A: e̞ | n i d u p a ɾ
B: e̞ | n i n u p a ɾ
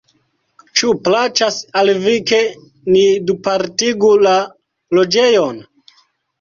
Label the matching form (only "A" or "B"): A